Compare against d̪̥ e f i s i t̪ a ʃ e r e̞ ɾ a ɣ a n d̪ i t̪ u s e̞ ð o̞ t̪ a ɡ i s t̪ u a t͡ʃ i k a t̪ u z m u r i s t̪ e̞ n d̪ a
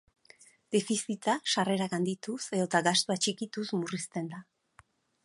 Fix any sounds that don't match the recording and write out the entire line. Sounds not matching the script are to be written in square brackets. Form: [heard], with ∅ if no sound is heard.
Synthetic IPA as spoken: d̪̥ e f i s i t̪ a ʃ [a] r e̞ ɾ a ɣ a n d̪ i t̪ u s e̞ ð o̞ t̪ a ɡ [a] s t̪ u a t͡ʃ i k [i] t̪ u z m u r i s t̪ e̞ n d̪ a

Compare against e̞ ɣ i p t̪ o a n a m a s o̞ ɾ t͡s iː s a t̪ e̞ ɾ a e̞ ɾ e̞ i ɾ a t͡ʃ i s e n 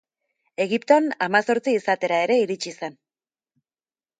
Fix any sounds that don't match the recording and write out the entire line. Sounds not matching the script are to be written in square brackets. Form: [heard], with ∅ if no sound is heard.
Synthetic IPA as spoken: e̞ ɣ i p t̪ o a n a m a s o̞ ɾ t͡s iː s a t̪ e̞ ɾ a e̞ ɾ e̞ i ɾ [i] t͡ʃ i s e n

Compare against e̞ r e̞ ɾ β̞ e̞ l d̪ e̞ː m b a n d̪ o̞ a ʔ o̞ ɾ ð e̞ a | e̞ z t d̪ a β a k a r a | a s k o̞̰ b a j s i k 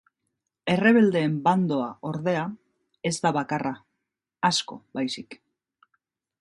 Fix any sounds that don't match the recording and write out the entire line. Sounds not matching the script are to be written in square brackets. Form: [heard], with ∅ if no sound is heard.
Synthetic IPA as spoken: e̞ r e̞ [∅] β̞ e̞ l d̪ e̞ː m b a n d̪ o̞ a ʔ o̞ ɾ ð e̞ a | e̞ z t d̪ a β a k a r a | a s k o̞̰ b a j s i k

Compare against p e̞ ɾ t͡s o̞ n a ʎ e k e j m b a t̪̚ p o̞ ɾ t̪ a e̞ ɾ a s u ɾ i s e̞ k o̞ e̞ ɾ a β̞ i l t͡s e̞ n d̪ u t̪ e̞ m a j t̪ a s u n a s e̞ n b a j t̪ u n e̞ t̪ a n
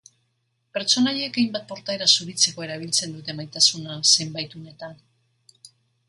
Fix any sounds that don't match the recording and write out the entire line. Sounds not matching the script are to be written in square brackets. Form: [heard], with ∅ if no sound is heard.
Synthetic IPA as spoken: p e̞ ɾ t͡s o̞ n a ʎ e k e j m b a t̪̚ p o̞ ɾ t̪ a e̞ ɾ a s u ɾ i [t͡s] e̞ k o̞ e̞ ɾ a β̞ i l t͡s e̞ n d̪ u t̪ e̞ m a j t̪ a s u n a s e̞ [m] b a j t̪ u n e̞ t̪ a n

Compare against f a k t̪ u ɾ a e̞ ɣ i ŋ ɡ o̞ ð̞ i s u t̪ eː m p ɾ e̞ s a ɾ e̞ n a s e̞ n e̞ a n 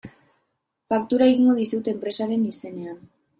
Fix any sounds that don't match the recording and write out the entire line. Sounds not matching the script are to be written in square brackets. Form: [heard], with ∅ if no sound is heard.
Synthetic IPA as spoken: f a k t̪ u ɾ a e̞ ɣ i ŋ ɡ o̞ ð̞ i s u t̪ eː m p ɾ e̞ s a ɾ e̞ n [i] s e̞ n e̞ a n

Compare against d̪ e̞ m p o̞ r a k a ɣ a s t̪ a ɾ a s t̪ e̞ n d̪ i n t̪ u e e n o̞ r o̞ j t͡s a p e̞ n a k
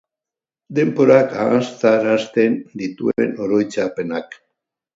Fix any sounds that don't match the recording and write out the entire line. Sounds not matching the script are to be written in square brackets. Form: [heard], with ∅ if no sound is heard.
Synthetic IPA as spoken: d̪ e̞ m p o̞ [ɾ] a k a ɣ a s t̪ a ɾ a s t̪ e̞ n d̪ i [∅] t̪ u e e n o̞ [ɾ] o̞ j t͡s a p e̞ n a k

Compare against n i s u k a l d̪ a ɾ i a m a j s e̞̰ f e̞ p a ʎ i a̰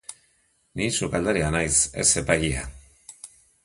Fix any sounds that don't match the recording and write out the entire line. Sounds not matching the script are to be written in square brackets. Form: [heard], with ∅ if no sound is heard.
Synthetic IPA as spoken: n i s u k a l d̪ a ɾ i a [n] a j s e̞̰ [s] e̞ p a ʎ i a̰

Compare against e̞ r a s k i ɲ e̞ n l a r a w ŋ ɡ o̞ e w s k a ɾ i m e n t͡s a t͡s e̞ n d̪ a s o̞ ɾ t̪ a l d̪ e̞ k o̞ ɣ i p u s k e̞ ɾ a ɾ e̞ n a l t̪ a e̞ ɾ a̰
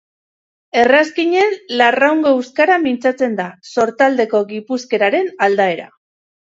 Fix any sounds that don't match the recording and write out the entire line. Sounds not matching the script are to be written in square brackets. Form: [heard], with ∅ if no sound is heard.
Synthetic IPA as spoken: e̞ r a s k i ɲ e̞ n l a r a w ŋ ɡ o̞ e w s k a ɾ [a] m [i] n t͡s a t͡s e̞ n d̪ a s o̞ ɾ t̪ a l d̪ e̞ k o̞ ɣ i p u s k e̞ ɾ a ɾ e̞ n a l [d̪] a e̞ ɾ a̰

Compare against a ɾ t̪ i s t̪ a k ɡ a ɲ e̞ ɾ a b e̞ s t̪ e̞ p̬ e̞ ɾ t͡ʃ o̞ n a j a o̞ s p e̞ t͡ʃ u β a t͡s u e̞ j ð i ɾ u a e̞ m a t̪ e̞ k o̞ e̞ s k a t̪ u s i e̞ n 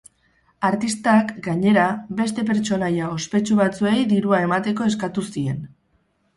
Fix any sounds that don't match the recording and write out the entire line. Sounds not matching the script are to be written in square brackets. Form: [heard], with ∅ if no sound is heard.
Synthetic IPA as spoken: a ɾ t̪ i s t̪ a k ɡ a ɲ e̞ ɾ a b e̞ s t̪ e̞ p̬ e̞ ɾ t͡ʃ o̞ n a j a o̞ s p e̞ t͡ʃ u β a t͡s u e̞ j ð i ɾ u a e̞ m a t̪ e̞ k o̞ e̞ s k a t̪ u s i e̞ n

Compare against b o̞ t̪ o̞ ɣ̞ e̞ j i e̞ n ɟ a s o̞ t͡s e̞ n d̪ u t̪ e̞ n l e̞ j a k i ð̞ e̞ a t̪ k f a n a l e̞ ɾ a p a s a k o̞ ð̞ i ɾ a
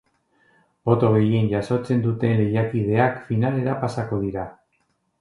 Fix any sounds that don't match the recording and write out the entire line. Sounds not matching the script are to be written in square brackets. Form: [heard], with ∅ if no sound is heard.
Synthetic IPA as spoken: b o̞ t̪ o̞ ɣ̞ e̞ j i e̞ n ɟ a s o̞ t͡s e̞ n d̪ u t̪ e̞ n l e̞ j a k i ð̞ e̞ a [∅] k f [i] n a l e̞ ɾ a p a s a k o̞ ð̞ i ɾ a

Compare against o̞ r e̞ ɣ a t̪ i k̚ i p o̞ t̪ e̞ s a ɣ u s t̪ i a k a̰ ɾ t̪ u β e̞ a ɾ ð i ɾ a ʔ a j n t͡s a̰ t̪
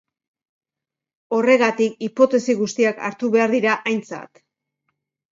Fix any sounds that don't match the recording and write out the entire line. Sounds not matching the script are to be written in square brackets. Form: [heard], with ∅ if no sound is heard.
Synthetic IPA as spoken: o̞ r e̞ ɣ a t̪ i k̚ i p o̞ t̪ e̞ s [i] ɣ u s t̪ i a k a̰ ɾ t̪ u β e̞ a ɾ ð i ɾ a ʔ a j n t͡s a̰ t̪

